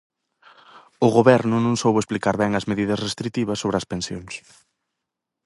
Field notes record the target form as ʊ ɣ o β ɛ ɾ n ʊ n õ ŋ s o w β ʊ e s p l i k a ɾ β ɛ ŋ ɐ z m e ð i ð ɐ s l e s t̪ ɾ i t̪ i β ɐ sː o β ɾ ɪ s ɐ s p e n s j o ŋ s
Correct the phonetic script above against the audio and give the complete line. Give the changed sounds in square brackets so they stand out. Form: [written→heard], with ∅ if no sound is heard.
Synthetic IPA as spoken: ʊ ɣ o β ɛ ɾ n ʊ n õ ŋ s o w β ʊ e s p l i k a ɾ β ɛ ŋ ɐ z m e ð i ð ɐ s [l→r] e s t̪ ɾ i t̪ i β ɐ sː o β ɾ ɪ [s→∅] ɐ s p e n s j o ŋ s